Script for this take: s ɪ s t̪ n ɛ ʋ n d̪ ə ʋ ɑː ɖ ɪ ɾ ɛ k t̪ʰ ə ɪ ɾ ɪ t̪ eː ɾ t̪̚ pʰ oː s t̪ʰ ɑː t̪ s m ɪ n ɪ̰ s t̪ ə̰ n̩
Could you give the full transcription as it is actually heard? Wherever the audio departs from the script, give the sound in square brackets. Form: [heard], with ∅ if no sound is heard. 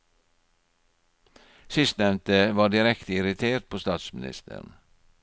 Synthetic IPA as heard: s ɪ s t̪ n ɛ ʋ n [t̪] ə ʋ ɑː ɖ ɪ ɾ ɛ k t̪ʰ ə ɪ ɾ ɪ [t̪ʰ] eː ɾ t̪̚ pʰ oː s [t̪] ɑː t̪ s m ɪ n ɪ̰ s t̪ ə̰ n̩